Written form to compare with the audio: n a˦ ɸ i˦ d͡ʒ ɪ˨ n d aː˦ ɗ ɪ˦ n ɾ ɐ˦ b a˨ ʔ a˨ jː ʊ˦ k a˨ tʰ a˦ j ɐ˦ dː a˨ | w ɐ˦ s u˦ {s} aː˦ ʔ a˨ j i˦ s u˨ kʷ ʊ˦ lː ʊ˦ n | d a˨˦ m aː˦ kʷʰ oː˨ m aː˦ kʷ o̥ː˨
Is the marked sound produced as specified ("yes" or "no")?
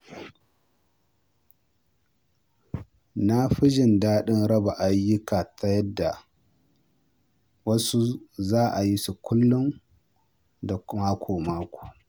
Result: no